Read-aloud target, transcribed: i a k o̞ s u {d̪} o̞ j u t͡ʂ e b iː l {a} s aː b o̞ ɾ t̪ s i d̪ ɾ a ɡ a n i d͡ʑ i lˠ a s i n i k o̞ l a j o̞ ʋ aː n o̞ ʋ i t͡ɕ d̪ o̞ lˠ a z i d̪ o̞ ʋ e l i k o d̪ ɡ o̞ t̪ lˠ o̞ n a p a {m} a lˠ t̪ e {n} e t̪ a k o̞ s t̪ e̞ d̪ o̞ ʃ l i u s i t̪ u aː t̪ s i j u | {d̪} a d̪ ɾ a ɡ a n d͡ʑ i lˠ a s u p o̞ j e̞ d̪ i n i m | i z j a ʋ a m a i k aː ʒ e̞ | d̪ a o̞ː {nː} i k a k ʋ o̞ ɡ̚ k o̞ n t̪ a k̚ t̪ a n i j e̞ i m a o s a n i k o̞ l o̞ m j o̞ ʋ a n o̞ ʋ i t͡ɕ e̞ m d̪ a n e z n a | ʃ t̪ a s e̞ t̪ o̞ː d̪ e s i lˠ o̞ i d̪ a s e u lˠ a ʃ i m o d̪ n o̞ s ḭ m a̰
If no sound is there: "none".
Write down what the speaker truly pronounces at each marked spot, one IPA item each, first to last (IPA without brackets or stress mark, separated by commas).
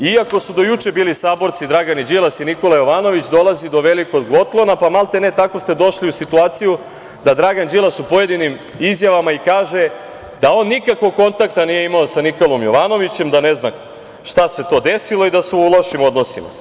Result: d̪, i, m, n, d̪, nː